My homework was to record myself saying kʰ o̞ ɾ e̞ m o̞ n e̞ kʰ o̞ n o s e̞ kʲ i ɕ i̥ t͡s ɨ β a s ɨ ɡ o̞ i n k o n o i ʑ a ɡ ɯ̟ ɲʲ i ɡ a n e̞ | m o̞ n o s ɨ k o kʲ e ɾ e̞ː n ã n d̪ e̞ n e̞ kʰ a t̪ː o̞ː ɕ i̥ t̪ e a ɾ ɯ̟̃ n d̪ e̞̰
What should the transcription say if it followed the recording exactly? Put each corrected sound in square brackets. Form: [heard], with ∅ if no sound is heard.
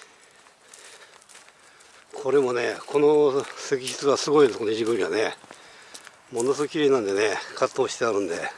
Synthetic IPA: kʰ o̞ ɾ e̞ m o̞ n e̞ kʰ o̞ n o s e̞ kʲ i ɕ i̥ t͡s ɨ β a s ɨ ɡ o̞ i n k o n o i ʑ [i] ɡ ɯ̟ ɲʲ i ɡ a n e̞ | m o̞ n o s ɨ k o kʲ [i] ɾ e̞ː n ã n d̪ e̞ n e̞ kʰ a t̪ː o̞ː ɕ i̥ t̪ e a ɾ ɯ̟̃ n d̪ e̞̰